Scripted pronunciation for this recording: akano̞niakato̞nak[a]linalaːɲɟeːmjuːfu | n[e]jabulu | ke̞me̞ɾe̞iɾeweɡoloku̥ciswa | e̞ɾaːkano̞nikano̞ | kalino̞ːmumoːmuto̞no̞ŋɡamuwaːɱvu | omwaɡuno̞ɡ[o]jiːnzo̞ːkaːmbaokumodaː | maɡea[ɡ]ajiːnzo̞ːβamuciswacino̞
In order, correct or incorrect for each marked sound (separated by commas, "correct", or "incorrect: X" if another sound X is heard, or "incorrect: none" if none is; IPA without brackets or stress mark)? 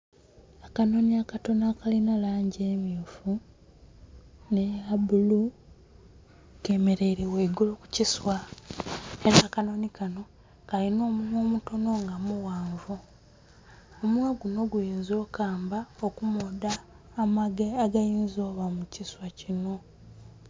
correct, correct, incorrect: u, correct